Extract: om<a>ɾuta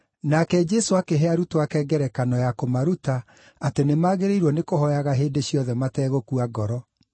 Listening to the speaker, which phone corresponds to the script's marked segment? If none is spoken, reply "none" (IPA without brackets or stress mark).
a